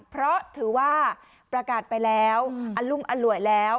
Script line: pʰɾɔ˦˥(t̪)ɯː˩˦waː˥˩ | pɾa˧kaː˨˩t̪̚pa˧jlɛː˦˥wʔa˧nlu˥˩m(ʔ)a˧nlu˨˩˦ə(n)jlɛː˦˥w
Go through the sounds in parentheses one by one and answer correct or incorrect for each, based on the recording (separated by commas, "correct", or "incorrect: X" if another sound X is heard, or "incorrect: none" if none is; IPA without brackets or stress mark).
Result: incorrect: t̪ʰ, correct, incorrect: none